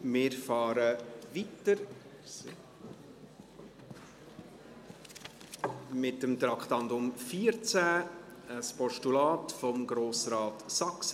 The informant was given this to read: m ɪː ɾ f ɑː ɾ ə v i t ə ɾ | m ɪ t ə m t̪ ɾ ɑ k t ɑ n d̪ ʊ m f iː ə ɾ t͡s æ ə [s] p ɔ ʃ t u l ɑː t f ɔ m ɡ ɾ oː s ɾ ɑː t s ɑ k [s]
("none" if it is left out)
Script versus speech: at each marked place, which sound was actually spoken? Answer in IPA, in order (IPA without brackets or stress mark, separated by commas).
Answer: s, s